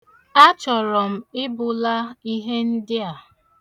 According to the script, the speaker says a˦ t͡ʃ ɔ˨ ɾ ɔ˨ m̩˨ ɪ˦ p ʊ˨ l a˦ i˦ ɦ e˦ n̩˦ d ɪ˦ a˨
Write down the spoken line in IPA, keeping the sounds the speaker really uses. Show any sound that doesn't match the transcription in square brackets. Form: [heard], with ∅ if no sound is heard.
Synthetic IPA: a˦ t͡ʃ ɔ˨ ɾ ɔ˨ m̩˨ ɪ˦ [b] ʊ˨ l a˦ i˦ ɦ e˦ n̩˦ d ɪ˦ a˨